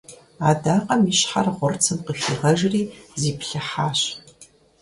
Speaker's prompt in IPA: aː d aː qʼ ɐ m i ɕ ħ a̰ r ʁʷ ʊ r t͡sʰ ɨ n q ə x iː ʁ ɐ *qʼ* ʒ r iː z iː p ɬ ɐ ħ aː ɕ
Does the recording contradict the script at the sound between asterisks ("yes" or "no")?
yes